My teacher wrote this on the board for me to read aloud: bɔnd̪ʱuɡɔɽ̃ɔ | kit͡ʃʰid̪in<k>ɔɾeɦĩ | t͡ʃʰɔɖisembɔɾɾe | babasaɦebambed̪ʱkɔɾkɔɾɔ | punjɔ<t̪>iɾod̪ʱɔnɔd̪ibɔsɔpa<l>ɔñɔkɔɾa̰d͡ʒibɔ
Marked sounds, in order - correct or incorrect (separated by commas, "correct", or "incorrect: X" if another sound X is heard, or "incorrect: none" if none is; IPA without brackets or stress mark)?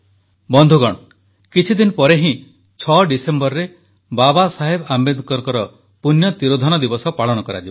incorrect: p, correct, incorrect: ɭ